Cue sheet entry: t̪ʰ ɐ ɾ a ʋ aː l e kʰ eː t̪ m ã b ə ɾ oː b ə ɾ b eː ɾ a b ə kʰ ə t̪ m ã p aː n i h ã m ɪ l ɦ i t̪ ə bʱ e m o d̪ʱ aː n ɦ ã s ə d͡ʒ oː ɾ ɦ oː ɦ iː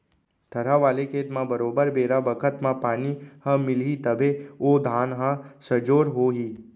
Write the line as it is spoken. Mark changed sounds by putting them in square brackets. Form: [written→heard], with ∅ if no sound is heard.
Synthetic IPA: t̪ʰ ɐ ɾ a ʋ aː l e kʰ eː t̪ m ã b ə ɾ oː b ə ɾ b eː ɾ a b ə kʰ ə t̪ m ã p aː n i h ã m ɪ l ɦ i t̪ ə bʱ e [m→∅] o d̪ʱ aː n ɦ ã s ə d͡ʒ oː ɾ ɦ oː ɦ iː